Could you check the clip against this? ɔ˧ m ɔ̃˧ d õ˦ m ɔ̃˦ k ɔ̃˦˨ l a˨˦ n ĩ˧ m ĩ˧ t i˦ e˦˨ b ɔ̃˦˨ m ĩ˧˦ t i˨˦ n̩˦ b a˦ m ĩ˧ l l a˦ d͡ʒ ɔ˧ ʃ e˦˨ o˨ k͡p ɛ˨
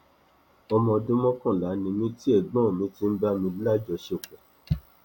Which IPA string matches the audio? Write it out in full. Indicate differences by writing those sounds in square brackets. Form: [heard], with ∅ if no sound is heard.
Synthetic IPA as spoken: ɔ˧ m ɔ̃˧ d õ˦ m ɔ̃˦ k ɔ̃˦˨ l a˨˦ n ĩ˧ m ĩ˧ t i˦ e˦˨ [ɡ͡b] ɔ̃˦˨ m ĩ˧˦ t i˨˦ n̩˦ b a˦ m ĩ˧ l l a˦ d͡ʒ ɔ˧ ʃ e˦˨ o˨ k͡p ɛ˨